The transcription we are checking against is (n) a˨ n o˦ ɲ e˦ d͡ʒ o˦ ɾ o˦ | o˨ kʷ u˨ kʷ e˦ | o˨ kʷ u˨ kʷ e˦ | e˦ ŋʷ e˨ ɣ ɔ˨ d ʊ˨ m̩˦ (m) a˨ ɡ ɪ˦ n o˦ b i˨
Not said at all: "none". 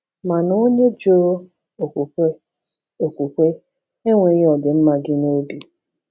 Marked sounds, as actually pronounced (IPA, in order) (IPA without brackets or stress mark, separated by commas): m, m